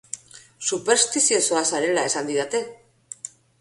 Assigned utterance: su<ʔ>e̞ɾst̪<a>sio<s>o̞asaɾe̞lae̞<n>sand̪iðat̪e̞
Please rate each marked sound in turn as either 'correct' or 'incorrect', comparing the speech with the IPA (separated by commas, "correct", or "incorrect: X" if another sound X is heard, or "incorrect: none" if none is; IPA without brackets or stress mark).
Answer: incorrect: p, incorrect: i, correct, incorrect: none